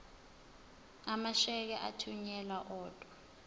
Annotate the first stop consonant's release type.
plain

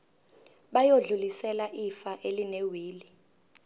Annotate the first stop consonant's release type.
implosive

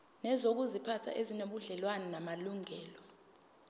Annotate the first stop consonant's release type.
plain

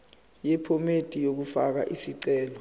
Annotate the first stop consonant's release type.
aspirated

